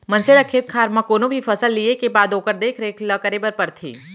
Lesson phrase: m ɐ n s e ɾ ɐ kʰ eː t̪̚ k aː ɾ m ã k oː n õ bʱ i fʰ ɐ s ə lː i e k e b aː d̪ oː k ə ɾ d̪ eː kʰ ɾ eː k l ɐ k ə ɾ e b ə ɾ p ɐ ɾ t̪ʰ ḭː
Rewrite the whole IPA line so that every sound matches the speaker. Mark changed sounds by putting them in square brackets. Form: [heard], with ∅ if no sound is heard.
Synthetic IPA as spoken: m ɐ n s e ɾ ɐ kʰ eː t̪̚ [kʰ] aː ɾ m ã k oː n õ bʱ i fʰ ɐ s ə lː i e k e b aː d̪ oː k ə ɾ d̪ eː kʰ ɾ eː k l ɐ k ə ɾ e b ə ɾ p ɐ ɾ t̪ʰ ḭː